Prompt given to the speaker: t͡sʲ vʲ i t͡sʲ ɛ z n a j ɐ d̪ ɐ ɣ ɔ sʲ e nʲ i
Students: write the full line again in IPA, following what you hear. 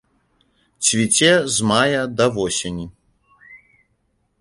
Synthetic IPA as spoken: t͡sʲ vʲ i t͡sʲ ɛ z m a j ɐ d̪ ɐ v ɔ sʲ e nʲ i